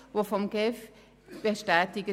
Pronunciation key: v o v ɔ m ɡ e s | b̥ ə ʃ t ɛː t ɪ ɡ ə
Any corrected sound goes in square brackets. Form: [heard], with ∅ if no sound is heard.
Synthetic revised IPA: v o [f] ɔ m ɡ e [f] | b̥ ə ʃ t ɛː t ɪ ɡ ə